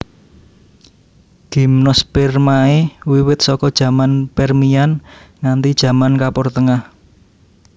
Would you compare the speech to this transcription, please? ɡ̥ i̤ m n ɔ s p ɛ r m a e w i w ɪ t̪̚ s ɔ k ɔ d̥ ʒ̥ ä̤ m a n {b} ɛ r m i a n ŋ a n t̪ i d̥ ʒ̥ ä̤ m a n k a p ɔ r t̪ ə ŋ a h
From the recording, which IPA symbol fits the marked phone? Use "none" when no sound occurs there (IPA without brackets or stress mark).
p